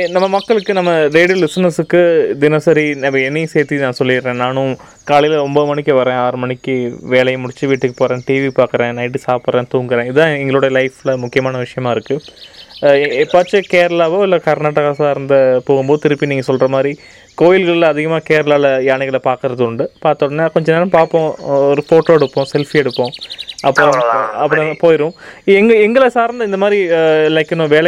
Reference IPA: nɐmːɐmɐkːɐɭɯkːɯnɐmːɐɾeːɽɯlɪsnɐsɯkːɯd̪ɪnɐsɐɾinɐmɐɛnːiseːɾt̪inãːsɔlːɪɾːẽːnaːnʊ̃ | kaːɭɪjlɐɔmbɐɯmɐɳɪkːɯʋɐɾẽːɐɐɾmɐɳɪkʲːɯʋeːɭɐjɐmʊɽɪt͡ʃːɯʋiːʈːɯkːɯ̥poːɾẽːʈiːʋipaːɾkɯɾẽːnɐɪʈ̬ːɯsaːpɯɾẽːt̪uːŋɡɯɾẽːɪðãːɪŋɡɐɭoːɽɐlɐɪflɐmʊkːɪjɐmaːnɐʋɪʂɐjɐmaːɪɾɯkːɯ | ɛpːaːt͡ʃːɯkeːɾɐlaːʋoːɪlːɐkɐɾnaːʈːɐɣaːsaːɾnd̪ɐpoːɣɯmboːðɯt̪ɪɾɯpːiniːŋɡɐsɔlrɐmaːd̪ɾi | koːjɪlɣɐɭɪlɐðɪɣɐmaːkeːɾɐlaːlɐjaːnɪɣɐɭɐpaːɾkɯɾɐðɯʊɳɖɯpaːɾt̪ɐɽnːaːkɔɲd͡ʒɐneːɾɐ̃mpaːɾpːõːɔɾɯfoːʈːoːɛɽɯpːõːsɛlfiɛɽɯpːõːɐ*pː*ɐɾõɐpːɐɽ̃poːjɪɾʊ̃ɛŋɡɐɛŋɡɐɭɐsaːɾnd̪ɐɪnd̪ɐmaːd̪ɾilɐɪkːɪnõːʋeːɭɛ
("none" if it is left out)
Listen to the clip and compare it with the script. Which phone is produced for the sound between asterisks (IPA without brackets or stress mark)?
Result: pː